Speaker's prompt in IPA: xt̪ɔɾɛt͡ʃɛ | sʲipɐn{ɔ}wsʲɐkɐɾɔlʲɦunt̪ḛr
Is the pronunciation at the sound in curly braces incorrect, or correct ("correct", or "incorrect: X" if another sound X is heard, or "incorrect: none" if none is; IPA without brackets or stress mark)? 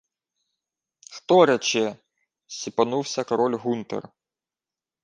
incorrect: u